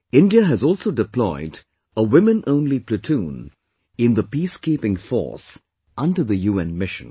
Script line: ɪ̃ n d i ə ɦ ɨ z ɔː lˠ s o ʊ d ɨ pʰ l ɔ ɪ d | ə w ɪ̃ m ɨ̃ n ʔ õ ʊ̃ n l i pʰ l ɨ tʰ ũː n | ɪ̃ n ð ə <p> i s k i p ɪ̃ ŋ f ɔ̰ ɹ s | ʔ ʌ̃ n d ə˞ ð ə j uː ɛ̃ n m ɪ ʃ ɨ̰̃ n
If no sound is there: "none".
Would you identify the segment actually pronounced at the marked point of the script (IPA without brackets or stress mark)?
p